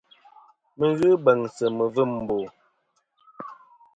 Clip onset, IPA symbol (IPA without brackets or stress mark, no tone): m